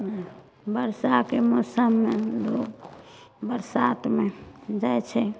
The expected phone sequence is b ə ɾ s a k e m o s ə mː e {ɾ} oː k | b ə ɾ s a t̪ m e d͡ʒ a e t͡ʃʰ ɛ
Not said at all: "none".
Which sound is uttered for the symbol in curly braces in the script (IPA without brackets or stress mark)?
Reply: l